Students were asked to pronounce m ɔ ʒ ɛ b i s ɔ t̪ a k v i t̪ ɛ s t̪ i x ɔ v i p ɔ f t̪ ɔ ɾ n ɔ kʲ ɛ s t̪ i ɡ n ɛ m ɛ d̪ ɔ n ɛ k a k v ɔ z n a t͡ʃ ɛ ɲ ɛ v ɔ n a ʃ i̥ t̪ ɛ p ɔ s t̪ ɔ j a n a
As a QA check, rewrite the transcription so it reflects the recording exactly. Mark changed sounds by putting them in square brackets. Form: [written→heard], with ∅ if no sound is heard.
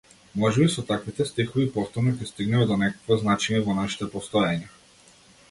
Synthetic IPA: m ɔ ʒ ɛ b i s ɔ t̪ a k v i t̪ ɛ s t̪ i x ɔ v i p ɔ f t̪ ɔ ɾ n ɔ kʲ ɛ s t̪ i ɡ n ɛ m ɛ d̪ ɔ n ɛ k a k v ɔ z n a t͡ʃ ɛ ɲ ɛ v ɔ n a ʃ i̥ t̪ ɛ p ɔ s t̪ ɔ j a [n→ɲ] a